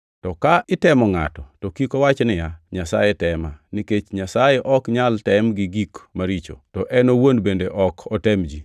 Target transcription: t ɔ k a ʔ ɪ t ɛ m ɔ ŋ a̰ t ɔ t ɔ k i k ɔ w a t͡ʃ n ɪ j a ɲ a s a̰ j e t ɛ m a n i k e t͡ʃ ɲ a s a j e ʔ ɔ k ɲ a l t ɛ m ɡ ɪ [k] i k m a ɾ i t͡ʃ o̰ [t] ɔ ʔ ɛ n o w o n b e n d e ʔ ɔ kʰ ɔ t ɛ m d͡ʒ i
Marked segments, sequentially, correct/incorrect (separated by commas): incorrect, correct